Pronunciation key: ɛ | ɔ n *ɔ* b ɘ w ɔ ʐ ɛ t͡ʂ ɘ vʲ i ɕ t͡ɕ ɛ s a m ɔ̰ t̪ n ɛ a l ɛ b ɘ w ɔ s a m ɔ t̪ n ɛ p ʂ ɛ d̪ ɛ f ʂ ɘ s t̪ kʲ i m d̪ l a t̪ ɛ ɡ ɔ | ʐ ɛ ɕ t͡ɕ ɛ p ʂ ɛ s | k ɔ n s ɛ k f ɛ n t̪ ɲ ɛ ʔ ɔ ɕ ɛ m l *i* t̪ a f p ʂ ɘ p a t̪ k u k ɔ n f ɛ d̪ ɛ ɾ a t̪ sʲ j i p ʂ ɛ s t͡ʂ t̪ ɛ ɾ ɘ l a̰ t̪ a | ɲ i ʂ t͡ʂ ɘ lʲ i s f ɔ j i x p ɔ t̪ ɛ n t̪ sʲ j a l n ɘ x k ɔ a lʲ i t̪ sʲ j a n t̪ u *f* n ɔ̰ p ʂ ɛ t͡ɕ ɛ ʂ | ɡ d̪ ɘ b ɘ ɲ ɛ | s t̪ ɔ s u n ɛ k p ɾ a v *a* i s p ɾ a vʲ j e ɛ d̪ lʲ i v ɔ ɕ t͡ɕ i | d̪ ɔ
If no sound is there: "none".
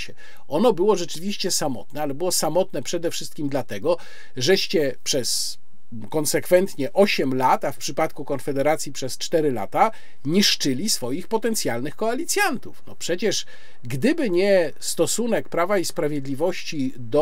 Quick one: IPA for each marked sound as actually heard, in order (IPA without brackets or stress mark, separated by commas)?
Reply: ɔ, a, f, a